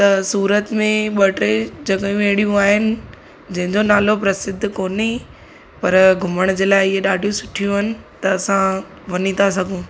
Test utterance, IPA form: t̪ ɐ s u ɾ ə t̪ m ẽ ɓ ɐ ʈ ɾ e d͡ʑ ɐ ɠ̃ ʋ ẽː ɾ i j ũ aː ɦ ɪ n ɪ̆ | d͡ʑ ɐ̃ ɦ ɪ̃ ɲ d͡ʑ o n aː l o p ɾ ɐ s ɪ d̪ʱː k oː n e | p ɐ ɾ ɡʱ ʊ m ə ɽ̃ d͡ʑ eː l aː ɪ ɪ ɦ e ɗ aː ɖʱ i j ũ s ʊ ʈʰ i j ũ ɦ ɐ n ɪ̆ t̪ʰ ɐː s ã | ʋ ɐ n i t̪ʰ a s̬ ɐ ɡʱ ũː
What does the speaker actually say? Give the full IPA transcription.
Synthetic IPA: t̪ ɐ s uː ɾ ə t̪ m ẽ ɓ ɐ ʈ ɾ e d͡ʑ ɐ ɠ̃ ʋ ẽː ɽ i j ũ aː ɦ ɪ n ɪ̆ | d͡ʑ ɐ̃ ɦ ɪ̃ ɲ d͡ʑ o n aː l o p ɾ ɐ s ɪ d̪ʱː k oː n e | p ɐ ɾ ɡʱ ʊ m ə ɽ̃ d͡ʑ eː l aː ɪ ɪ ɦ e ɗ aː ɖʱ i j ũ s ʊ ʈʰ i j ũ ɦ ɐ n ɪ̆ t̪ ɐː s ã | ʋ ɐ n i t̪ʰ a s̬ ɐ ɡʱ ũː